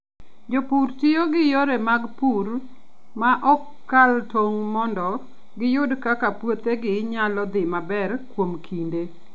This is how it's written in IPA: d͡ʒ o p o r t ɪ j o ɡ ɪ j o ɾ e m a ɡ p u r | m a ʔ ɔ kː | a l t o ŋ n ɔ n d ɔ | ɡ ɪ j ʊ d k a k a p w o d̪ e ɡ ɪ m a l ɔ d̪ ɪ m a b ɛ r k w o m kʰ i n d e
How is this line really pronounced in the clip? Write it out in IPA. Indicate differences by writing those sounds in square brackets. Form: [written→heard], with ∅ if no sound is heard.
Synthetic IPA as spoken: d͡ʒ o p [o→u] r t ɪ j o ɡ ɪ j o ɾ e m a ɡ p u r | m a ʔ ɔ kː | a l t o ŋ [n→m] ɔ n d ɔ | ɡ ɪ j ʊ d k a k a p w o [d̪→t̪] e ɡ ɪ [m→ɲ] a l ɔ d̪ ɪ m a b ɛ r k w o m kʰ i n d e